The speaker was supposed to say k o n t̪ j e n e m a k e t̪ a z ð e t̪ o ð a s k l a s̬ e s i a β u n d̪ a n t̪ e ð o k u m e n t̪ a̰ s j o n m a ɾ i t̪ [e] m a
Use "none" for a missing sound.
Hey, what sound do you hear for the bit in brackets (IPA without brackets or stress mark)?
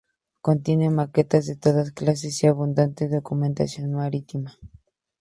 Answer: i